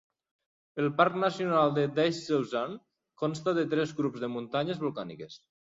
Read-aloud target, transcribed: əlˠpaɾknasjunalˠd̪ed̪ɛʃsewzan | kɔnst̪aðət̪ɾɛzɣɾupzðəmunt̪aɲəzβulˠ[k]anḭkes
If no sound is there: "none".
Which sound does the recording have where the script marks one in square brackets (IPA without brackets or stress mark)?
k